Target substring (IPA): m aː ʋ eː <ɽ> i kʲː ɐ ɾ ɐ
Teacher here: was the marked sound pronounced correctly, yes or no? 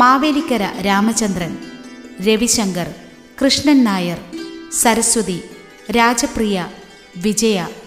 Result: no